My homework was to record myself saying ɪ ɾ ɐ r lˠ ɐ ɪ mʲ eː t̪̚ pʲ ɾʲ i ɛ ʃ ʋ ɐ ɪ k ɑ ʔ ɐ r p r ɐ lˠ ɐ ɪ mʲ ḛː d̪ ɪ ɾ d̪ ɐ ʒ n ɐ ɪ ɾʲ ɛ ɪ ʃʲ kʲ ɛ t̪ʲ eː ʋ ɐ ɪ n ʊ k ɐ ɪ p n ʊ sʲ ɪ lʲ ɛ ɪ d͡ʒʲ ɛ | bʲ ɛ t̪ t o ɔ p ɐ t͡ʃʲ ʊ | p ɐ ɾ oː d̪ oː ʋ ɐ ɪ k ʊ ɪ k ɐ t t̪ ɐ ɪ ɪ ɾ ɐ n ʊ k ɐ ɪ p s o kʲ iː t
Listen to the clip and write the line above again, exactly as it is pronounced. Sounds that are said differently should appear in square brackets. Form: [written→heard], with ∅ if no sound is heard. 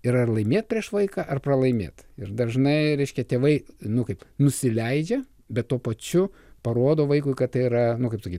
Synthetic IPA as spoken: ɪ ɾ ɐ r lˠ ɐ ɪ mʲ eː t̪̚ pʲ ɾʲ i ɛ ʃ ʋ ɐ ɪ k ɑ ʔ ɐ r p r ɐ lˠ ɐ ɪ mʲ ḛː [d̪→t̪] ɪ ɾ d̪ ɐ ʒ n ɐ ɪ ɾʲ ɛ ɪ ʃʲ kʲ ɛ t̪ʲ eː ʋ ɐ ɪ n ʊ k ɐ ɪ p n ʊ sʲ ɪ lʲ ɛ ɪ d͡ʒʲ ɛ | bʲ ɛ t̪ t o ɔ p ɐ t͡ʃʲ ʊ | p ɐ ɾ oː d̪ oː ʋ ɐ ɪ k ʊ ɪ k ɐ t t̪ ɐ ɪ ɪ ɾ ɐ n ʊ k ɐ ɪ p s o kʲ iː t